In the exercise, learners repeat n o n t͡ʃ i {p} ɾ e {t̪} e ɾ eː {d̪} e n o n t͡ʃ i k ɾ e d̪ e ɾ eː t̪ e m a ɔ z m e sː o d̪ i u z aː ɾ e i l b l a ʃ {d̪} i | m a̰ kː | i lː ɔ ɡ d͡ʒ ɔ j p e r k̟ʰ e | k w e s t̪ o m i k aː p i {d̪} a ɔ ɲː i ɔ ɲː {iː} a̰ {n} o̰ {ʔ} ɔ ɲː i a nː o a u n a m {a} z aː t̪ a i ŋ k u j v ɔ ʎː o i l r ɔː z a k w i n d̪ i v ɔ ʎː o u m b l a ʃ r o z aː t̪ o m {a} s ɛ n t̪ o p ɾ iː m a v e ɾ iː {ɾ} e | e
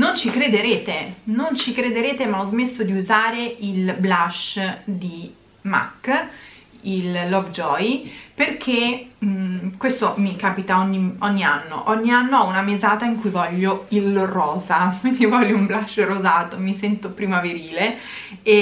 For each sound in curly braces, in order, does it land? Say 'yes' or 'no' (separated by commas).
no, no, no, yes, no, no, no, yes, no, no, no